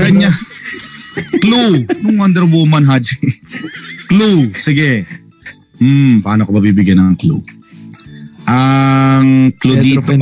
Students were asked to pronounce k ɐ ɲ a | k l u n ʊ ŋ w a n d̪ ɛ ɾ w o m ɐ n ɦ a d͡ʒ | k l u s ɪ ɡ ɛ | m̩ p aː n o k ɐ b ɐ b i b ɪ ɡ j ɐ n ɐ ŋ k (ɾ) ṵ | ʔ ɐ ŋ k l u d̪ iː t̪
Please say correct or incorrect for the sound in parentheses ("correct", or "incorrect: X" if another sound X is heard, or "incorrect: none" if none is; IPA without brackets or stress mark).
incorrect: l